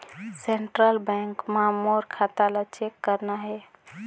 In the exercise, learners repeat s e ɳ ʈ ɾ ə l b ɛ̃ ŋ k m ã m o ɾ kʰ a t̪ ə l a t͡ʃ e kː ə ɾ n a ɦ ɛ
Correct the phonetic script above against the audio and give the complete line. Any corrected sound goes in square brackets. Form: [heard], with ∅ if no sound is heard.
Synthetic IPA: s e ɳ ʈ ɾ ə l b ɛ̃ ŋ k m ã m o ɾ kʰ a t̪ [a] l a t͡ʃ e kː ə ɾ n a ɦ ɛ